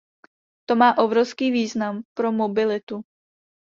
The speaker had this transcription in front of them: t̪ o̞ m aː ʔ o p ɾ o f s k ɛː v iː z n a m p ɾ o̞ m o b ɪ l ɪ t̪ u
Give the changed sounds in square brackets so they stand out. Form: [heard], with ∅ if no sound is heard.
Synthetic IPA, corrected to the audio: t̪ o̞ m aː ʔ o [b] ɾ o f s k [iː] v iː z n a m p ɾ o̞ m o b ɪ l ɪ t̪ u